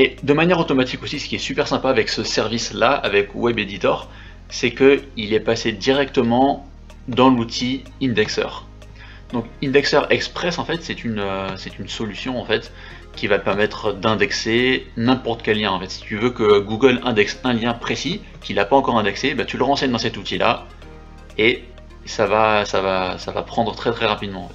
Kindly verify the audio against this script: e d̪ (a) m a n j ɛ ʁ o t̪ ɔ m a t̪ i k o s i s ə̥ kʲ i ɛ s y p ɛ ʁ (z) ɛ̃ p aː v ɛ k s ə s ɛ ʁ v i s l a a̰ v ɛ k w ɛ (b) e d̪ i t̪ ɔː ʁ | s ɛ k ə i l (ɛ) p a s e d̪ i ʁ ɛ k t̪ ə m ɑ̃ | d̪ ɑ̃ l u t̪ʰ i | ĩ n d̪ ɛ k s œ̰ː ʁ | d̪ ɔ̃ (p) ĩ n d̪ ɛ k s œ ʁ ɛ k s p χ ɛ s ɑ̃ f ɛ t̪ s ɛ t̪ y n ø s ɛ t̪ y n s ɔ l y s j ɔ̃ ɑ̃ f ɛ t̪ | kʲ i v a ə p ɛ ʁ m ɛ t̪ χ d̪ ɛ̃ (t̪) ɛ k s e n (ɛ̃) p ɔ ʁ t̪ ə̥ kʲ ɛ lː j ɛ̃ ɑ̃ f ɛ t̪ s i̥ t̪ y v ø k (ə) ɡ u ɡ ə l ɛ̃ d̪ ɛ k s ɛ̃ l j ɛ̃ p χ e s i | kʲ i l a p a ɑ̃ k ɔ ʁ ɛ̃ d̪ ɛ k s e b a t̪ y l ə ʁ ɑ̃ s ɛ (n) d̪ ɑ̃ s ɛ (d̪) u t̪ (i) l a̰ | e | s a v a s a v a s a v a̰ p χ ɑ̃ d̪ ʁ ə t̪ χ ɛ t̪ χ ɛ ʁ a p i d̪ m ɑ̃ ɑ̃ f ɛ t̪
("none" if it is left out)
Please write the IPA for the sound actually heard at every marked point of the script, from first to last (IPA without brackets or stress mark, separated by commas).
ə, s, b, ɛ, k, d̪, ɛ̃, ə, ɲ, t̪, i